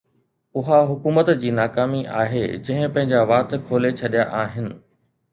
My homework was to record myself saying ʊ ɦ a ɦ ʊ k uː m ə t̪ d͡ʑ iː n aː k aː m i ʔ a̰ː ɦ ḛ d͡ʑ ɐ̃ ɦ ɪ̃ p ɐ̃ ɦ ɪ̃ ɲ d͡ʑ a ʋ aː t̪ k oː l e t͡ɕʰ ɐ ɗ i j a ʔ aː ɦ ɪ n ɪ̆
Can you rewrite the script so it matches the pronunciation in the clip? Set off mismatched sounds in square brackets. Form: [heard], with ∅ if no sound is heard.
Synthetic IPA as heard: ʊ ɦ a ɦ ʊ k uː m ə t̪ d͡ʑ iː n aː k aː m i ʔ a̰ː ɦ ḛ d͡ʑ ɐ̃ ɦ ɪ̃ p ɐ̃ ɦ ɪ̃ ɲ d͡ʑ a ʋ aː t̪ [kʰ] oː l e t͡ɕʰ ɐ ɗ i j a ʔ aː ɦ ɪ n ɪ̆